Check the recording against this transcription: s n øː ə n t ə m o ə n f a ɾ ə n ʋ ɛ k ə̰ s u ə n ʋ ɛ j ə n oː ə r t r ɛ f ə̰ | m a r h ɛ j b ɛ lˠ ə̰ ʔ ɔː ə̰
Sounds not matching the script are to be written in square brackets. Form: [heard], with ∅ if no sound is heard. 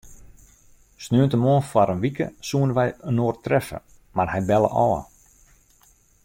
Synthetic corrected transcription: s n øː ə n t ə m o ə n f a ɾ ə n ʋ [i] k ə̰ s u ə n ʋ ɛ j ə n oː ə r t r ɛ f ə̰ | m a r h ɛ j b ɛ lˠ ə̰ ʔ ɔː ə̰